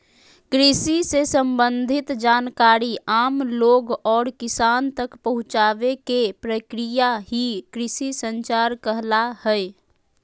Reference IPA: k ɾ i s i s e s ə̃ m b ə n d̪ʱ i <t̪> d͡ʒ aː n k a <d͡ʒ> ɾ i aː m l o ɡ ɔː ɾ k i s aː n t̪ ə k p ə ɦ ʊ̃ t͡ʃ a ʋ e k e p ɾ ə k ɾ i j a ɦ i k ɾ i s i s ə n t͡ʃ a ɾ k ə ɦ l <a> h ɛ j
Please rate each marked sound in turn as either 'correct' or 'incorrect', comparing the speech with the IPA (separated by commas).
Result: correct, incorrect, correct